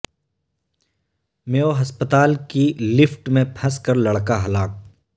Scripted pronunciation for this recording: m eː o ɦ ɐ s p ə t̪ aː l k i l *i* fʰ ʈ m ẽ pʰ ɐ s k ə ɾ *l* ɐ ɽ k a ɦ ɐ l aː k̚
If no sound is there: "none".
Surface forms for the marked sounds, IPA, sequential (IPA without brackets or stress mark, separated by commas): ɪ, l